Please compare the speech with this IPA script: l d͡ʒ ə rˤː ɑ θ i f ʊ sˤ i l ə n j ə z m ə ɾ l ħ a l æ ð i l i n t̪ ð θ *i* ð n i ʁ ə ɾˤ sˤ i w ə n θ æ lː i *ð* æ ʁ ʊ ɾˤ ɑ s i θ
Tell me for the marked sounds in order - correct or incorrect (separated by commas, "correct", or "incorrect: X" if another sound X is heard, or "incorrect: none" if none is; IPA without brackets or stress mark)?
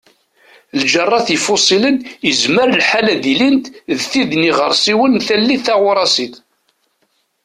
correct, incorrect: θ